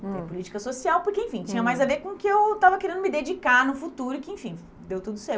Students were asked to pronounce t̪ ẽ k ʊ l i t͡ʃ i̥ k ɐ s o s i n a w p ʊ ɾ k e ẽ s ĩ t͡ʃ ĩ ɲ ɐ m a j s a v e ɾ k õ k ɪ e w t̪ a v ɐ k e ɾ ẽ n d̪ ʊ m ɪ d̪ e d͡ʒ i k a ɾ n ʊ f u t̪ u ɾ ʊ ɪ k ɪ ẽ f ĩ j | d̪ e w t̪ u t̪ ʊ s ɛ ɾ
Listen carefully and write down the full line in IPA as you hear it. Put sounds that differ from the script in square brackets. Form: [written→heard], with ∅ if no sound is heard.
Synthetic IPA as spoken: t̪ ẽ [k→p] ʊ l i t͡ʃ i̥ k ɐ s o s i [n→∅] a w p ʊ ɾ k e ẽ [s→f] ĩ t͡ʃ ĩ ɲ ɐ m a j [s→z] a v e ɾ k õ k ɪ e w t̪ a v ɐ k e ɾ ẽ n d̪ ʊ m ɪ d̪ e d͡ʒ i k a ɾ n ʊ f u t̪ u ɾ ʊ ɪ k ɪ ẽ f ĩ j | d̪ e w t̪ u [t̪→d̪] ʊ s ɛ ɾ